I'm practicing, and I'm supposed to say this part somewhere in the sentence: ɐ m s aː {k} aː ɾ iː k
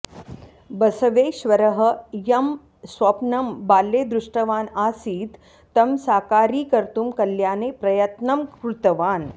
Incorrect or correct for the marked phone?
correct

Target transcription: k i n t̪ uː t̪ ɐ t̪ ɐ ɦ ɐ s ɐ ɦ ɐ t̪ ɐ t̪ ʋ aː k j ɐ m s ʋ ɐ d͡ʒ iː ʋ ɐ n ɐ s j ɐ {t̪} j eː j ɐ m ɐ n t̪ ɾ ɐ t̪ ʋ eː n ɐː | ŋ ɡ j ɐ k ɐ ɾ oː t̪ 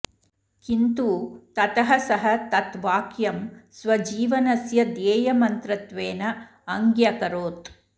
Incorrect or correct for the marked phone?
incorrect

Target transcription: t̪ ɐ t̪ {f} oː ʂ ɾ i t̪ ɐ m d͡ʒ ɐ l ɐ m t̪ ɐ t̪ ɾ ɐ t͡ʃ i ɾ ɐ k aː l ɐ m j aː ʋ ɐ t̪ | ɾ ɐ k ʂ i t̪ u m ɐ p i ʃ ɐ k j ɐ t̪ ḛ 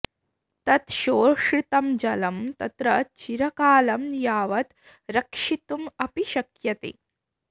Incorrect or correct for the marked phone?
incorrect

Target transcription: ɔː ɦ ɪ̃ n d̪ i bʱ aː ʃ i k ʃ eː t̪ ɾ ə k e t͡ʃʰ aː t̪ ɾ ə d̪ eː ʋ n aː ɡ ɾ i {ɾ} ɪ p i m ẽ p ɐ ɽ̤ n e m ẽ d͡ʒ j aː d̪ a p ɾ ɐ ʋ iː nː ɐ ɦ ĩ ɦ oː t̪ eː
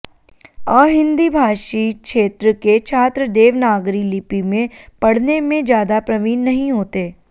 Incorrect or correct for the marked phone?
incorrect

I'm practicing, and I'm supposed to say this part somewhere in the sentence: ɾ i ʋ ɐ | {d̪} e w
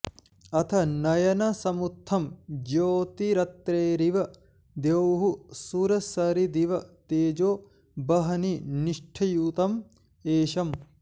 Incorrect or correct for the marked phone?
correct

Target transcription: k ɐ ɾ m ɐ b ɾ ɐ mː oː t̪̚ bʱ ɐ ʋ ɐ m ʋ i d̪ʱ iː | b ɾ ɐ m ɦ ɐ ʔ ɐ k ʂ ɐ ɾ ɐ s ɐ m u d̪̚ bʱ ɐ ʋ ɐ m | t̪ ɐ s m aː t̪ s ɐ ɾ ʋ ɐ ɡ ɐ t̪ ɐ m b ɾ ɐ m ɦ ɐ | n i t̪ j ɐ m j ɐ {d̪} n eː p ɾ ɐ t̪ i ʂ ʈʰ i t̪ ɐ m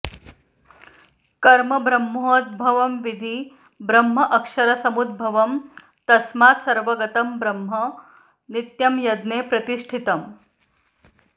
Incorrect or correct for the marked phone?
correct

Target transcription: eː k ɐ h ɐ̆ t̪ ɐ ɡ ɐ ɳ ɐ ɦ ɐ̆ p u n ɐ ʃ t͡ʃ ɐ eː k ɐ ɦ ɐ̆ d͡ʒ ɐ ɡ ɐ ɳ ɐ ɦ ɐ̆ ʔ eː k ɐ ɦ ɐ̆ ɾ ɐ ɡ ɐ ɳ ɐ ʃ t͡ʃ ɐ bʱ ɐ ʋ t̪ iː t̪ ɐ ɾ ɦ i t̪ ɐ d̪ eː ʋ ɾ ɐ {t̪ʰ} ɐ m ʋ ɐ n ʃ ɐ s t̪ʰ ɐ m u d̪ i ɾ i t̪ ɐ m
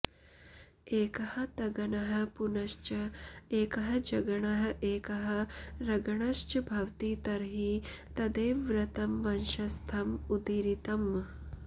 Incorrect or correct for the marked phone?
incorrect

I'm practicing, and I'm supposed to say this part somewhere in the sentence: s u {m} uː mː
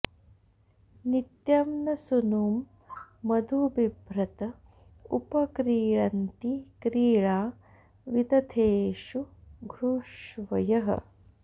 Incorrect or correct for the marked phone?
incorrect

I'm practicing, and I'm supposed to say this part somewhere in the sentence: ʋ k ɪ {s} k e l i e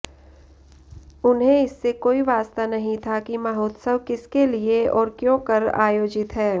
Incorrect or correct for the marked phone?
correct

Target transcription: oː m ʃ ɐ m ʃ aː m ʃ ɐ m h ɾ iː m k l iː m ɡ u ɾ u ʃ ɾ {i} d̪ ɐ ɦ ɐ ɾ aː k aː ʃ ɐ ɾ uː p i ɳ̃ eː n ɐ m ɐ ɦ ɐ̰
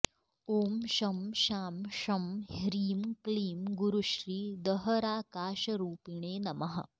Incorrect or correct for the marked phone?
incorrect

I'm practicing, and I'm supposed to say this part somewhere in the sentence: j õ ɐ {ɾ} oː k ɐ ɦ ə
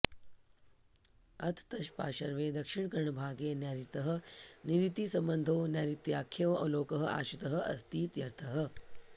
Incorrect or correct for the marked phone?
incorrect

